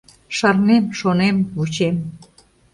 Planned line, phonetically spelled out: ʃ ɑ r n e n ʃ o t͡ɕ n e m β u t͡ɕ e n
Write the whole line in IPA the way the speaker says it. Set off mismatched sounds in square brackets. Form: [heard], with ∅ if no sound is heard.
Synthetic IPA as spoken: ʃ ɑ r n e [m] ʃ o [∅] n e m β u t͡ɕ e [m]